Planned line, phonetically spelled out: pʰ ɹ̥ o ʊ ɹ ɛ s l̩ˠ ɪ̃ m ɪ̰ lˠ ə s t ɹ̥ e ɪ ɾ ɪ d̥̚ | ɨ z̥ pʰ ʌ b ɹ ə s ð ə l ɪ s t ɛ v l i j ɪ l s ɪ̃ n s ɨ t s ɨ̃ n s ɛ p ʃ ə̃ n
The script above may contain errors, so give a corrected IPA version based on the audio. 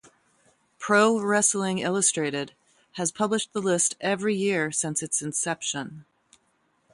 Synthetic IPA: pʰ ɹ̥ o ʊ ɹ ɛ s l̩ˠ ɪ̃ ŋ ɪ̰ lˠ ə s t ɹ̥ e ɪ ɾ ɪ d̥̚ | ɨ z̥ pʰ ʌ b l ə ʃ ð ə l ɪ s t ɛ v ɹ i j ɪ ɹ s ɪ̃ n s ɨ t s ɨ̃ n s ɛ p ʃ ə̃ n